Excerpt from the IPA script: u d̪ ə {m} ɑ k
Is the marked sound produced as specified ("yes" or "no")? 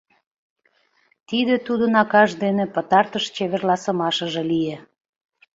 no